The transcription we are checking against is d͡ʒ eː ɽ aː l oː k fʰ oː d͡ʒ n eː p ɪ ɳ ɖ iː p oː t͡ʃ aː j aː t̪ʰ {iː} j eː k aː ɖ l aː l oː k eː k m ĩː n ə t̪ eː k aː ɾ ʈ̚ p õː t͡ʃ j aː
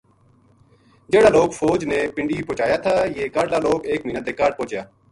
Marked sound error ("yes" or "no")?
yes